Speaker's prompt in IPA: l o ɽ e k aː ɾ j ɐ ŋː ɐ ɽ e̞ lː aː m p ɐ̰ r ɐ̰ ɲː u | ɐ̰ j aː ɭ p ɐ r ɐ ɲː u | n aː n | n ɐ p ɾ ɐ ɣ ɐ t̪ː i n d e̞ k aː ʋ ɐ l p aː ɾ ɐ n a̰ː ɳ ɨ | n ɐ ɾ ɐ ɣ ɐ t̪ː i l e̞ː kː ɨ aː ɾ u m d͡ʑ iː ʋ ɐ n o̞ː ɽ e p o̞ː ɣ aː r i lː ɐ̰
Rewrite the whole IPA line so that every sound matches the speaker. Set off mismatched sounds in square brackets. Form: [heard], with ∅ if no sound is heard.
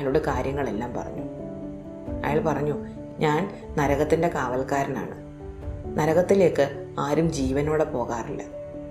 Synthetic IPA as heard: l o ɽ e k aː ɾ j ɐ ŋː ɐ [ɭ] e̞ lː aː m p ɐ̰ r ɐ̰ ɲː u | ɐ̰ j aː ɭ p ɐ r ɐ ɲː u | [ɲ] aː n | n ɐ [∅] ɾ ɐ ɣ ɐ t̪ː i n d e̞ k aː ʋ ɐ l [k] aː ɾ ɐ n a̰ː ɳ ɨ | n ɐ ɾ ɐ ɣ ɐ t̪ː i l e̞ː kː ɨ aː ɾ u m d͡ʑ iː ʋ ɐ n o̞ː ɽ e p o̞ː ɣ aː r i lː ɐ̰